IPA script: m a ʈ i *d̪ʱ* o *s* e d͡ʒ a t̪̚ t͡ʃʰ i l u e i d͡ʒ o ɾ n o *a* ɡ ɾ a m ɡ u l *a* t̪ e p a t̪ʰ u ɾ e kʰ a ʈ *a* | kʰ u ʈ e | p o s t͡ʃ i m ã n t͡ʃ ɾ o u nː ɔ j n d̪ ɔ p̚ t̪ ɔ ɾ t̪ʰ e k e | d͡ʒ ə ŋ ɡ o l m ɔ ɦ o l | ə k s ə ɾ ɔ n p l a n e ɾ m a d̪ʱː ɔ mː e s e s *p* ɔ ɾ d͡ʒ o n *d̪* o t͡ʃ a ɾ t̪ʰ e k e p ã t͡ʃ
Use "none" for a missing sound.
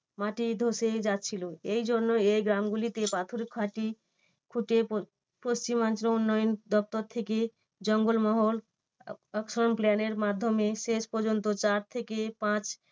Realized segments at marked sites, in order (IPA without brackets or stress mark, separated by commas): d̪ʱ, s, e, i, i, p, t̪